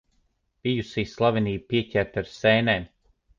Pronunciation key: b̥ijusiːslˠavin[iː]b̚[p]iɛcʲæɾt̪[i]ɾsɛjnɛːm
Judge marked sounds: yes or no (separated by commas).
yes, yes, no